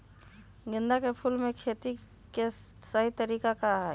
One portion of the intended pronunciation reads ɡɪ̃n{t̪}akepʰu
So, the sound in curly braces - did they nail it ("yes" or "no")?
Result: no